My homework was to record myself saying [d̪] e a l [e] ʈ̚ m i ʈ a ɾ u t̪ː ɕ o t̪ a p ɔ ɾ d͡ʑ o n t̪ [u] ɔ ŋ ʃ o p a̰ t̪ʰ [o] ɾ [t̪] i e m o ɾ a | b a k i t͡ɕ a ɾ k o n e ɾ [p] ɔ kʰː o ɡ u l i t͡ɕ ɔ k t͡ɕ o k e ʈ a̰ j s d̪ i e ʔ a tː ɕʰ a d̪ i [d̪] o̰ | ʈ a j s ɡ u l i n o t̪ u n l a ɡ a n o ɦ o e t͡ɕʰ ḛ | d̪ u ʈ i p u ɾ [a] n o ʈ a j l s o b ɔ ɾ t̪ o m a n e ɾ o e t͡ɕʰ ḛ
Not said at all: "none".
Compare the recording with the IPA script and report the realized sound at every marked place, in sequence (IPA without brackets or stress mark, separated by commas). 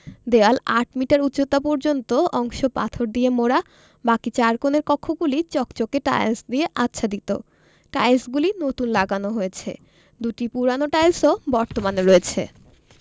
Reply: d̪, a, o, o, d̪, k, t̪, a